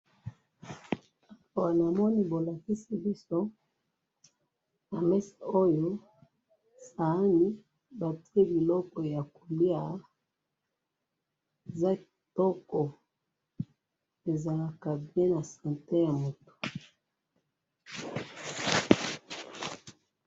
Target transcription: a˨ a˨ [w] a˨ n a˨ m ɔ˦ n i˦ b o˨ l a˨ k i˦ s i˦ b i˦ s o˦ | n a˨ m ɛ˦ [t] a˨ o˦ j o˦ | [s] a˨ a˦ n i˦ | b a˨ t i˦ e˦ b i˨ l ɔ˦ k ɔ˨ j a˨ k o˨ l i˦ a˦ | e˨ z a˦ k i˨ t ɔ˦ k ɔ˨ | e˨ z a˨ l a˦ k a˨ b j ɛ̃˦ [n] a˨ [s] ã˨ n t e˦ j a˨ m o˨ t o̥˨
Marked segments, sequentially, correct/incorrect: correct, incorrect: s, correct, correct, correct

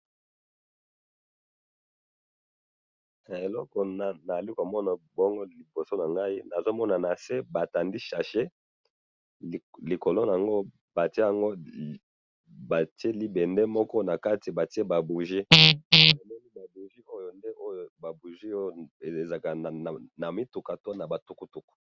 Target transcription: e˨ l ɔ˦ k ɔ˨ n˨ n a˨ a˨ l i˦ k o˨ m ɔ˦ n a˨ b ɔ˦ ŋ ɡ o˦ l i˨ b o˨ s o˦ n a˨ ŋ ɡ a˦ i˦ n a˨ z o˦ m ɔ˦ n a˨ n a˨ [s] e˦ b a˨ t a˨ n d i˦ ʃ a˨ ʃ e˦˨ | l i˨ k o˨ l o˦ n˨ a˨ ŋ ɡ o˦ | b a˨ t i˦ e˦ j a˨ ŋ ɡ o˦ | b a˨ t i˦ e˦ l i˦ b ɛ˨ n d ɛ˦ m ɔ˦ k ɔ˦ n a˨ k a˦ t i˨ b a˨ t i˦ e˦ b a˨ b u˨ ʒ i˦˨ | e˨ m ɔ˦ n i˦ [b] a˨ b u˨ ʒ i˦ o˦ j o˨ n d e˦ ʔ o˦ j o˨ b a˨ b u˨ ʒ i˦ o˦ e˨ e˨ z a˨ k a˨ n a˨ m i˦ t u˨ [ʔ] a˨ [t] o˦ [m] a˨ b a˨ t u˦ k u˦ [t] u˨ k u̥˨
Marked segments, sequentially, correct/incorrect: correct, correct, incorrect: k, correct, incorrect: n, correct

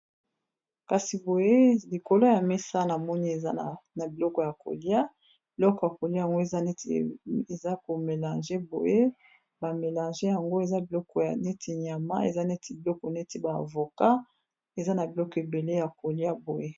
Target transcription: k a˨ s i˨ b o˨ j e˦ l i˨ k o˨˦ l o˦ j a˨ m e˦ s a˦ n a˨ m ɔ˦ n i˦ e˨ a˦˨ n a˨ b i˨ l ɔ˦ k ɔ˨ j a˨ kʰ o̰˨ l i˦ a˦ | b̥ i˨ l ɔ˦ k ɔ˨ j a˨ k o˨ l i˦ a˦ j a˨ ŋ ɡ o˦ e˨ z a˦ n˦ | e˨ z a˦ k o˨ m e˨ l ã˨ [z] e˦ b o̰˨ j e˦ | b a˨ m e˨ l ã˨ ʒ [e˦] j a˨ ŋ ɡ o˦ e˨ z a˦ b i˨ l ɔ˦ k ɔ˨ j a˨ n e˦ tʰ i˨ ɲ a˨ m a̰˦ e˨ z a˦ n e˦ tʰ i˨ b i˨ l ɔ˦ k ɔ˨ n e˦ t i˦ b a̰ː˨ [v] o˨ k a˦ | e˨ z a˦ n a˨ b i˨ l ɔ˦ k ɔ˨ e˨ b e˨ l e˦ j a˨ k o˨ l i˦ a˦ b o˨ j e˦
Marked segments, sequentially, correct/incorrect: incorrect: ʒ, correct, correct

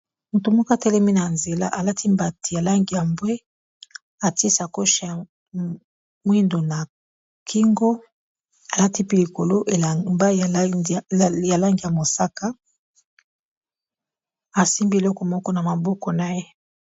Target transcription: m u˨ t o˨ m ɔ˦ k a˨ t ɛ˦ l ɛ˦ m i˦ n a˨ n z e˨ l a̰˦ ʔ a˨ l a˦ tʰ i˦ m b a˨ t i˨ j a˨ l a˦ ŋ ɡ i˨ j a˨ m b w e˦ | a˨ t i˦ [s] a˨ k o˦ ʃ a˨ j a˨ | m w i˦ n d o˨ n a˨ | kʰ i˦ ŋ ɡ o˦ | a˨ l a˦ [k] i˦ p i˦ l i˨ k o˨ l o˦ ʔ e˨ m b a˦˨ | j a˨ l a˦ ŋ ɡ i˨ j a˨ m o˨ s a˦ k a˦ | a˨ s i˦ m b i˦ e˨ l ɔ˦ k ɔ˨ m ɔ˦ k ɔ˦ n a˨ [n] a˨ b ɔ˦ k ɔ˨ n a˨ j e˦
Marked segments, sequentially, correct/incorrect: correct, incorrect: t, incorrect: m

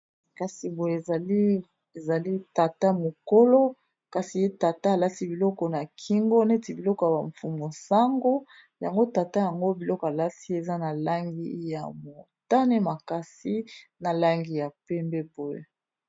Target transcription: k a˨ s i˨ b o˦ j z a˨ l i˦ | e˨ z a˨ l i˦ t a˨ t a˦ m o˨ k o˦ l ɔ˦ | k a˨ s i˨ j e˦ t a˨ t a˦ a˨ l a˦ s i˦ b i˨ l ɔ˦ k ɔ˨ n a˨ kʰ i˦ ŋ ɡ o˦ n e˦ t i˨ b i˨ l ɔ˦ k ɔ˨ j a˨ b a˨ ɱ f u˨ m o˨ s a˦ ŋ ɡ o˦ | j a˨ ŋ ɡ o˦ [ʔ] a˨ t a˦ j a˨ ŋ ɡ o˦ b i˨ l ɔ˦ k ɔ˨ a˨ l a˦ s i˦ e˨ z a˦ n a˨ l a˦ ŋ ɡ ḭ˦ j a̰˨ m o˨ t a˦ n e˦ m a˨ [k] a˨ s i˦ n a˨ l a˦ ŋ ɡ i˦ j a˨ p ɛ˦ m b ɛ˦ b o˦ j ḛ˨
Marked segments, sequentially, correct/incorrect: incorrect: t, correct

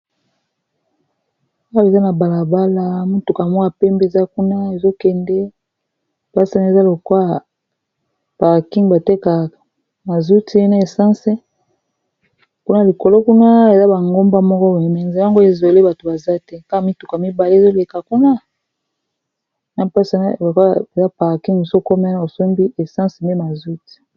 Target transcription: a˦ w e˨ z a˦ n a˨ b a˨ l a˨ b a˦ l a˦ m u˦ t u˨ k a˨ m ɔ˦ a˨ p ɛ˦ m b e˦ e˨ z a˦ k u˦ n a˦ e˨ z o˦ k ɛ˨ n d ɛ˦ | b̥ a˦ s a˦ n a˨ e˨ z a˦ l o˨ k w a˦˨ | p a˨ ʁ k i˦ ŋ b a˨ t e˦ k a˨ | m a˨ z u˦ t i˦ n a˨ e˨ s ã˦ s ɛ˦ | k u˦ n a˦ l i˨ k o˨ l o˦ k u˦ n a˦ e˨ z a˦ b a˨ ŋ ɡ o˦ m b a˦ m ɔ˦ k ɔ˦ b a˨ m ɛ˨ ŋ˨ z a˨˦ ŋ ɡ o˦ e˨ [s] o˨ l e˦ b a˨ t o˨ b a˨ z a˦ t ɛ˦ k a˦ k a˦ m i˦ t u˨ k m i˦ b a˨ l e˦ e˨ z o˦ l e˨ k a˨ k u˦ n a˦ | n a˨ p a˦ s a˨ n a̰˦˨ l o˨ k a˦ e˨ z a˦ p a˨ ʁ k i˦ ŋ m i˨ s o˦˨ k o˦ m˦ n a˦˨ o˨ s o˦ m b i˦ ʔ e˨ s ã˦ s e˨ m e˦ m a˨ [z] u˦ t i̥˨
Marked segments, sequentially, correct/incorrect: incorrect: z, correct

